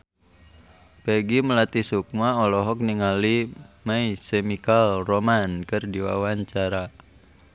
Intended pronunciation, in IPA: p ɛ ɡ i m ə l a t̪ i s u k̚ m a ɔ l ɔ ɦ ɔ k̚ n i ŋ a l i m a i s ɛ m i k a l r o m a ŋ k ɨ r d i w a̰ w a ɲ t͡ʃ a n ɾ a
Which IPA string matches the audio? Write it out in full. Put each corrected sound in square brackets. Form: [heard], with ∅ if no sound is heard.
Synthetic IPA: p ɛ ɡ i m ə l a t̪ i s u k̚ m a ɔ l ɔ ɦ ɔ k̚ n i ŋ a l i m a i s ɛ m i k a l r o m a [n] k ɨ r d i w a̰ w a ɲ t͡ʃ a [∅] ɾ a